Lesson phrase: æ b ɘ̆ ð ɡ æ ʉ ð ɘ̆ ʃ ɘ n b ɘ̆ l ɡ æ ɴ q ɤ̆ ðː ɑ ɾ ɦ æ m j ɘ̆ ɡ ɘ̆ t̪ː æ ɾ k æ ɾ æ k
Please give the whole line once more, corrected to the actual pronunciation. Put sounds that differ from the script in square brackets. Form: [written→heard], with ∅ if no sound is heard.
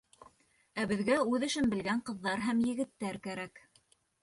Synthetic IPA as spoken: æ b ɘ̆ ð ɡ æ ʉ ð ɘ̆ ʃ ɘ n b ɘ̆ l ɡ æ ɴ q ɤ̆ ðː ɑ ɾ ɦ æ m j ɘ̆ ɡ ɘ̆ t̪ː æ ɾ k æ ɾ æ k